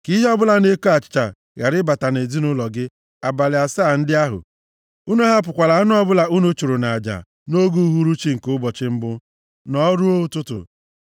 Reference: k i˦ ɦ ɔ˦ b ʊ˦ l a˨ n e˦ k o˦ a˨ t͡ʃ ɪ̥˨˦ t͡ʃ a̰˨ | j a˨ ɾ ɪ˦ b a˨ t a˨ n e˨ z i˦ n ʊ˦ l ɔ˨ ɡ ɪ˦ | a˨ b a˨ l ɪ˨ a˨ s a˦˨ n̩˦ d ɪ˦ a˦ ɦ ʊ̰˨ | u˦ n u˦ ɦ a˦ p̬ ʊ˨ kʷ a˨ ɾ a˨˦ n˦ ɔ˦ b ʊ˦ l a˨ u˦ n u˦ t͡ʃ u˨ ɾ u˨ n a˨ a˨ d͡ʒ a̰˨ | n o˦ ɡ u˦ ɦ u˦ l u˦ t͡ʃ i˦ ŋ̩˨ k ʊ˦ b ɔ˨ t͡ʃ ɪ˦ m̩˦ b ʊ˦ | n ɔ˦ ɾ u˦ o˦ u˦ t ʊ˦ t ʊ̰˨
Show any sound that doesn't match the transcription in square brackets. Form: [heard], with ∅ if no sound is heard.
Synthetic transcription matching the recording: k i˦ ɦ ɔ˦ b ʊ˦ l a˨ n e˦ k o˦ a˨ t͡ʃ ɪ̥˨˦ t͡ʃ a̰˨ | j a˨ ɾ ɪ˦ b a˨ t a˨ n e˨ z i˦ n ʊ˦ l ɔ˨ ɡ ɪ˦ | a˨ b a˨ l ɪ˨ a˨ s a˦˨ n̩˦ d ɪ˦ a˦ ɦ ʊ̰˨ | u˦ n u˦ ɦ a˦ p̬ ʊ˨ kʷ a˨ [l] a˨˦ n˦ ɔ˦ b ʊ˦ l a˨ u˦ n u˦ t͡ʃ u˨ ɾ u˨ n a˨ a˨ d͡ʒ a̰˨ | n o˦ ɡ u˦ ɦ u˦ [ɾ] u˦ t͡ʃ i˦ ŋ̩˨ k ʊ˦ b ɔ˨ t͡ʃ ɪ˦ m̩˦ b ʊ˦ | n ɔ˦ ɾ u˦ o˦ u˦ t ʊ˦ t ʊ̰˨